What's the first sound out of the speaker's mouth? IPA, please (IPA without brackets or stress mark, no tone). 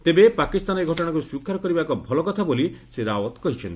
t̪